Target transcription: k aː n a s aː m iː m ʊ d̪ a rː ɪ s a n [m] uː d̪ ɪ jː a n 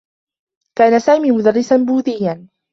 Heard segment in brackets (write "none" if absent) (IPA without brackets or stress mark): b